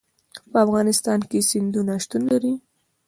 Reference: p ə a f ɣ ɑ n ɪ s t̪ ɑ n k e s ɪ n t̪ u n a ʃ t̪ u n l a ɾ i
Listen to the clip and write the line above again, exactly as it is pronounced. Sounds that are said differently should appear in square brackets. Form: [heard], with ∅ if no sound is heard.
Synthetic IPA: p ə a f ɣ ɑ n ɪ s t̪ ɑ n k e s ɪ n [d̪] u n a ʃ t̪ u n l a ɾ i